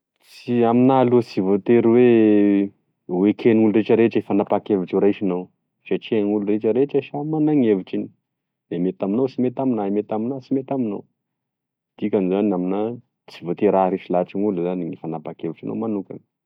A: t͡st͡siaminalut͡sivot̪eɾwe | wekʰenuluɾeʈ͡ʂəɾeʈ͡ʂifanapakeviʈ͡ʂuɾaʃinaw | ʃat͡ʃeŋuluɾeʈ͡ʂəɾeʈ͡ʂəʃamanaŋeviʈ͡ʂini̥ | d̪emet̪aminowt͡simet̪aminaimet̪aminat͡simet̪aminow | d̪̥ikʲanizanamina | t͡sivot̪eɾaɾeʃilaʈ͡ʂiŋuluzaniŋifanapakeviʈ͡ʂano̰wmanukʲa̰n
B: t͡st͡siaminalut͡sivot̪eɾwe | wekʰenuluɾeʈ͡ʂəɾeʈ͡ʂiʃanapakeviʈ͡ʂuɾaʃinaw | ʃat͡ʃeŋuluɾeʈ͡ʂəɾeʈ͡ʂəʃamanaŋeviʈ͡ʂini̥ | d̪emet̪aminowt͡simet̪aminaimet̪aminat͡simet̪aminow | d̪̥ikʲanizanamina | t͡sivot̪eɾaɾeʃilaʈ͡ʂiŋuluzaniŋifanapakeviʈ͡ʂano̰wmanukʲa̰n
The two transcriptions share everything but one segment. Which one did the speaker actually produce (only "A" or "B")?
A